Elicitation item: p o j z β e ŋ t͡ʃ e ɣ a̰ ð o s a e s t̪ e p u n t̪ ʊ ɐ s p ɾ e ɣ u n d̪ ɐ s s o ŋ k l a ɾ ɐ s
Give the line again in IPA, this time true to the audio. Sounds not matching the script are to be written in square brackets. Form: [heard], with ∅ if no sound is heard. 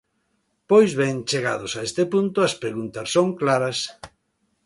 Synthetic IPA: p o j z β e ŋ t͡ʃ e ɣ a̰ ð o s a e s t̪ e p u n t̪ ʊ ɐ s p ɾ e ɣ u n [t̪] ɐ s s o ŋ k l a ɾ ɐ s